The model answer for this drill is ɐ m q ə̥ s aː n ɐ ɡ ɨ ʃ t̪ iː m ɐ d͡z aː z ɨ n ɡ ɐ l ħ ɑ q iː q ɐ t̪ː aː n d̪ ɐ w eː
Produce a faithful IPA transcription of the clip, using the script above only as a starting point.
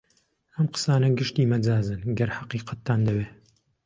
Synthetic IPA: ɐ m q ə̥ s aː n ɐ ɡ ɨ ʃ t̪ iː m ɐ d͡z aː z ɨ n ɡ ɐ ɾ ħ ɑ q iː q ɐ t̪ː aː n d̪ ɐ w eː

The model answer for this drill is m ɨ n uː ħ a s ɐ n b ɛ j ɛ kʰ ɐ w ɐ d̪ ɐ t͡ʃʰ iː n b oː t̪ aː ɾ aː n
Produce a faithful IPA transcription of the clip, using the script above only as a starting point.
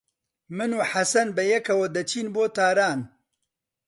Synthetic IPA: m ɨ n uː ħ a s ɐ n b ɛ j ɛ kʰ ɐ w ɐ d̪ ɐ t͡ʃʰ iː n b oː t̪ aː ɾ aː n

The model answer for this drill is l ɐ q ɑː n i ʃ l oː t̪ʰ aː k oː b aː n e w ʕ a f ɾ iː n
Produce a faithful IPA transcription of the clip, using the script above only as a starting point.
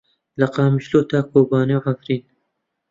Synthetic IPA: l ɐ q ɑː m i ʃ l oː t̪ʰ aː k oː b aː n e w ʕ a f ɾ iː n

